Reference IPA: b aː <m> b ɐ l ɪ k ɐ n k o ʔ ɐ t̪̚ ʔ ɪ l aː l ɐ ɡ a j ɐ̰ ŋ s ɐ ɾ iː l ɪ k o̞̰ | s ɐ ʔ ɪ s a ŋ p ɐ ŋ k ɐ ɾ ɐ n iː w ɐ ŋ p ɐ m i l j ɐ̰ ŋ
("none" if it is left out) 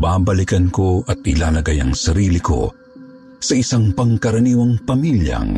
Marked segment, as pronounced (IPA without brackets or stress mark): none